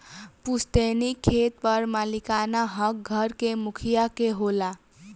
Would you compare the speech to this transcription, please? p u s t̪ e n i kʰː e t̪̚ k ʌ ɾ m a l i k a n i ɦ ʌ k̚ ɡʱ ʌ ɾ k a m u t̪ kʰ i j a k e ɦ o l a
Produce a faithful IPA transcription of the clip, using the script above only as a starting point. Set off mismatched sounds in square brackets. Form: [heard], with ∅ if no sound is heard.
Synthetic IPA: p u s t̪ e n i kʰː e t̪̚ [p] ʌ ɾ m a l i k a n [a] ɦ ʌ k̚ ɡʱ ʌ ɾ k [e] m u [∅] kʰ i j a k e ɦ o l a